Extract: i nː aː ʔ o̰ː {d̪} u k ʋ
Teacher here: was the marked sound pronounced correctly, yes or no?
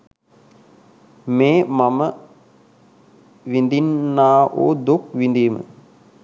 yes